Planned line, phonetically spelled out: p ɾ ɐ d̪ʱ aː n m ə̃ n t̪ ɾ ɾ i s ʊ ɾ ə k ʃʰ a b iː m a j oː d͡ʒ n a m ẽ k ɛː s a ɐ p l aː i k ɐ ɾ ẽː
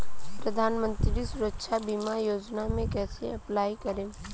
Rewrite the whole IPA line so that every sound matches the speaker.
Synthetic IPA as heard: p ɾ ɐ d̪ʱ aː n m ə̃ n t̪ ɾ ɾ i s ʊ ɾ ə k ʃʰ a b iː m a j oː d͡ʒ n a m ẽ k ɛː s e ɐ p l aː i k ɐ ɾ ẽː